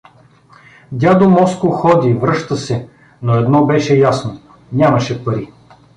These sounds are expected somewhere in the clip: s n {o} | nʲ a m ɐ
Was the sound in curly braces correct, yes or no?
yes